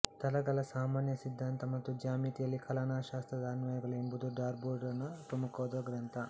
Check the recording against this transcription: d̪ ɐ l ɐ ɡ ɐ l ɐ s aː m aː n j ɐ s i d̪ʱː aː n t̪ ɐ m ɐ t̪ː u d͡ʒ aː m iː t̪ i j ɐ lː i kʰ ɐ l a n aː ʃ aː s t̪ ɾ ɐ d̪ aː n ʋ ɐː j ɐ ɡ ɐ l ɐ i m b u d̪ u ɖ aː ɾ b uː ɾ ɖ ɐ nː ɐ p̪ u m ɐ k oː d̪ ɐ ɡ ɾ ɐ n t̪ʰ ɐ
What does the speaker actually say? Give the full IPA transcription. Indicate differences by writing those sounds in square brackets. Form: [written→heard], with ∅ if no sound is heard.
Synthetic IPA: [d̪→t̪] ɐ l ɐ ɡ ɐ l ɐ s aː m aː n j ɐ s i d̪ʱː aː n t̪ ɐ m ɐ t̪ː u d͡ʒ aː m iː t̪ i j ɐ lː i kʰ ɐ l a n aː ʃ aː s t̪ ɾ ɐ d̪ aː n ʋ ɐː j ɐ ɡ ɐ l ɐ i m b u d̪ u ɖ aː ɾ b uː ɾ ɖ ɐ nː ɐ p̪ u m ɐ k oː d̪ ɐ ɡ ɾ ɐ n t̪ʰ ɐ

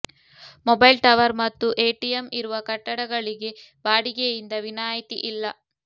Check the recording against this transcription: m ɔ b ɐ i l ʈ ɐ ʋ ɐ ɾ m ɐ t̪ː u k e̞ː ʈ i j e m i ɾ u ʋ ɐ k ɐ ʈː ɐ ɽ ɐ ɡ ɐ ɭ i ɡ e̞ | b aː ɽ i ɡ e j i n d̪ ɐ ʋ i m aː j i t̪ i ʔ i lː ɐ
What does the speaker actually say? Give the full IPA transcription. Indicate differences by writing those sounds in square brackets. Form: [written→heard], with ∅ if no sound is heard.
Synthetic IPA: m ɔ b ɐ [i→j] l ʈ ɐ ʋ ɐ ɾ m ɐ t̪ː u [k→ʔ] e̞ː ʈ i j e m i ɾ u ʋ ɐ k ɐ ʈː ɐ ɽ ɐ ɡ ɐ ɭ i ɡ e̞ | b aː ɽ i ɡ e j i n d̪ ɐ ʋ i [m→n] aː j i t̪ i ʔ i lː ɐ

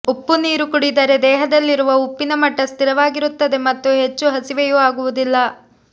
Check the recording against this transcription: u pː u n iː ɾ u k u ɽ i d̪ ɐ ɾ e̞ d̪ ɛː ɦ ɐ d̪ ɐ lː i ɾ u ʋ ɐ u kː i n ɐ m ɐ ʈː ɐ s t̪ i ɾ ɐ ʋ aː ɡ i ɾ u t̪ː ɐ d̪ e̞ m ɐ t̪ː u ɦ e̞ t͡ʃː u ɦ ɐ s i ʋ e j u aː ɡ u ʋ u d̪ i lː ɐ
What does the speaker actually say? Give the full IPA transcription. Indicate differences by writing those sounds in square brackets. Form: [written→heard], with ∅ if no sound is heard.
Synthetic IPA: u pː u n iː ɾ u k u ɽ i d̪ ɐ ɾ e̞ d̪ ɛː ɦ ɐ d̪ ɐ lː i ɾ u ʋ ɐ u [kː→pː] i n ɐ m ɐ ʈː ɐ s t̪ i ɾ ɐ ʋ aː ɡ i ɾ u t̪ː ɐ d̪ e̞ m ɐ t̪ː u ɦ e̞ t͡ʃː u ɦ ɐ s i ʋ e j u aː ɡ u ʋ u d̪ i lː ɐ

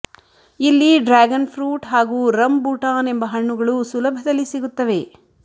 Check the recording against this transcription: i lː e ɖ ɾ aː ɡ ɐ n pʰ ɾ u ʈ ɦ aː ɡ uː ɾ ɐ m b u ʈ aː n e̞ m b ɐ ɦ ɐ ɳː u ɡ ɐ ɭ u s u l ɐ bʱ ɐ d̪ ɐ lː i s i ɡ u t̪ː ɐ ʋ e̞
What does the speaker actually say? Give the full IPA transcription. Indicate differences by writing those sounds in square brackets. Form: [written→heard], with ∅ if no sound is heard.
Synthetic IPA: i lː [e→i] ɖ ɾ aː ɡ ɐ n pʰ ɾ [u→uː] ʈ ɦ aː ɡ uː ɾ ɐ m b u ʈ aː n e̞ m b ɐ ɦ ɐ ɳː u ɡ ɐ ɭ u s u l ɐ bʱ ɐ d̪ ɐ lː i s i ɡ u t̪ː ɐ ʋ e̞

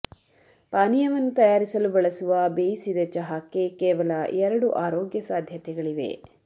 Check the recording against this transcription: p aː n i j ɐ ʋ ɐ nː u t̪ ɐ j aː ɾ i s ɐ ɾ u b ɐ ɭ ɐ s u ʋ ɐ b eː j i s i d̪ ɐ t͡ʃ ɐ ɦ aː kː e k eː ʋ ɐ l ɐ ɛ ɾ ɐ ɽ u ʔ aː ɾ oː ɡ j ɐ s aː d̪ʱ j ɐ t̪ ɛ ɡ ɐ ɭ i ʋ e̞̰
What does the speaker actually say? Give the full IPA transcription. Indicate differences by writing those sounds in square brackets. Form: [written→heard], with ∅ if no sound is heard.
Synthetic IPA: p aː n i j ɐ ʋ ɐ nː u t̪ ɐ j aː ɾ i s ɐ [ɾ→l] u b ɐ ɭ ɐ s u ʋ ɐ b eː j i s i d̪ ɐ t͡ʃ ɐ ɦ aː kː e k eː ʋ ɐ l ɐ ɛ ɾ ɐ ɽ u ʔ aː ɾ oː ɡ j ɐ s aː d̪ʱ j ɐ t̪ ɛ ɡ ɐ ɭ i ʋ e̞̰

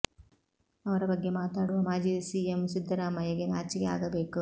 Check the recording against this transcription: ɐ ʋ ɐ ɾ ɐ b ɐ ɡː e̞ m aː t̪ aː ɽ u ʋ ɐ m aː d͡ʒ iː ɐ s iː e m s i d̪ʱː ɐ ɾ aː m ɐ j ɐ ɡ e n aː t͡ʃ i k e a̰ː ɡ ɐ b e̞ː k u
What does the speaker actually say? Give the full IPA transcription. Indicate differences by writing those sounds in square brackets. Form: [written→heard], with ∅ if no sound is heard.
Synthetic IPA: ɐ ʋ ɐ ɾ ɐ b ɐ ɡː e̞ m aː t̪ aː ɽ u ʋ ɐ m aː d͡ʒ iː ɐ s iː e m s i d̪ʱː ɐ ɾ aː m ɐ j ɐ ɡ e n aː t͡ʃ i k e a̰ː ɡ ɐ b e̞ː k u

